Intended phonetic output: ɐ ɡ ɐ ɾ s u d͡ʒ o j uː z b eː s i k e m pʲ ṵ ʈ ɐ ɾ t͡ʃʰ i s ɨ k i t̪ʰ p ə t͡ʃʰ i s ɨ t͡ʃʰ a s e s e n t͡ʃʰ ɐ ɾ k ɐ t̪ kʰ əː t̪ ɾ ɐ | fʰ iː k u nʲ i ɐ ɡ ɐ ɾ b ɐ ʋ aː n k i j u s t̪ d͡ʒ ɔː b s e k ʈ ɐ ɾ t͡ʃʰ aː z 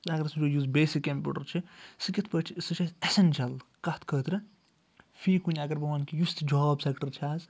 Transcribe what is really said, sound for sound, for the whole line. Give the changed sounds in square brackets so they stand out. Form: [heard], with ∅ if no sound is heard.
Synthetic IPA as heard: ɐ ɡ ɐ ɾ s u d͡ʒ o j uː z b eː s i k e m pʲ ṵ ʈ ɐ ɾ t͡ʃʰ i s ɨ k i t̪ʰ p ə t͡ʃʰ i s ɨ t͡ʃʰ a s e s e n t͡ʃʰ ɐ [l] k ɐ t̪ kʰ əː t̪ ɾ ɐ | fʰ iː k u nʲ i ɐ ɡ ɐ ɾ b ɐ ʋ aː n k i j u s t̪ d͡ʒ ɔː b s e k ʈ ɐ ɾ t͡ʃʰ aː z